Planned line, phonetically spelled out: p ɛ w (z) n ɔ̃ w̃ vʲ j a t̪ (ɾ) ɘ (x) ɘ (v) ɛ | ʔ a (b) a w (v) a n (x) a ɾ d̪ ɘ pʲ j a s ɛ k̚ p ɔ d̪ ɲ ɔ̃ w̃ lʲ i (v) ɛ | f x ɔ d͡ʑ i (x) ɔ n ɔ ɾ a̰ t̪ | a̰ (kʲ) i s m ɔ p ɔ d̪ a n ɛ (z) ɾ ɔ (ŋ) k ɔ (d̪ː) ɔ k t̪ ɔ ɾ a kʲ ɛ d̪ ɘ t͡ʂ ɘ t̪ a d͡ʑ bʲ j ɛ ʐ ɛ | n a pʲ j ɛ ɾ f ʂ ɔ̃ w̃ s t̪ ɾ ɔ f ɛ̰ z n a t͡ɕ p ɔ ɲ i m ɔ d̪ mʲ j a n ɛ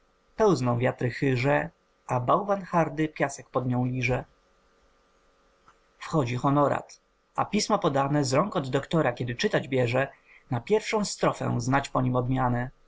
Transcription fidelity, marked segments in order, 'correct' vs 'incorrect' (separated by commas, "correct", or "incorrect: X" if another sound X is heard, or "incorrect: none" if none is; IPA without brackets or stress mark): correct, correct, correct, incorrect: ʐ, correct, correct, correct, incorrect: ʐ, correct, incorrect: pʲ, correct, correct, correct